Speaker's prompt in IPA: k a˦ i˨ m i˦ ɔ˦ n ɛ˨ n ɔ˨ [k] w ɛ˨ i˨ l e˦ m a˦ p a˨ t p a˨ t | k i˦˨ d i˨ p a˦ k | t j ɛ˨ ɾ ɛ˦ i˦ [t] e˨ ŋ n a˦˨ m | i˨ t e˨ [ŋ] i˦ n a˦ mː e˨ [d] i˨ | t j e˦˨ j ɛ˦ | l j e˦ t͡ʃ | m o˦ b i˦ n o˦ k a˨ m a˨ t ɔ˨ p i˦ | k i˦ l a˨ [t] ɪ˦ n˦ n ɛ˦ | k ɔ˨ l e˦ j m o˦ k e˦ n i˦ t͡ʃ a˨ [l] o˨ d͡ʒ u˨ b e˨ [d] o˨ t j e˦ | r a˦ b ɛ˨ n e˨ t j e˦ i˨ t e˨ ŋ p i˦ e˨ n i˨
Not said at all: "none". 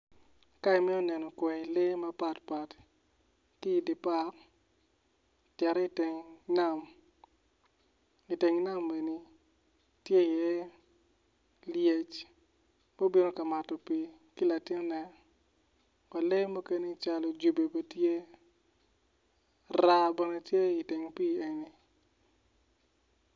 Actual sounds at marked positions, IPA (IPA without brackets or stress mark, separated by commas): k, t, ŋ, n, t, l, b